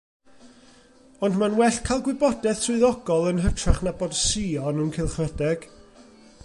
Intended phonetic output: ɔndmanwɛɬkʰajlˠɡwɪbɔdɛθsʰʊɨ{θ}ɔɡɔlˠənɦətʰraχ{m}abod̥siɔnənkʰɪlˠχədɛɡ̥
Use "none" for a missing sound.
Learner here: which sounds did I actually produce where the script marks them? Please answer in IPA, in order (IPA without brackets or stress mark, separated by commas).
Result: ð, n